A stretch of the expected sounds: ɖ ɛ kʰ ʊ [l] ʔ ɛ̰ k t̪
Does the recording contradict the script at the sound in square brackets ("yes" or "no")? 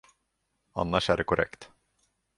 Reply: yes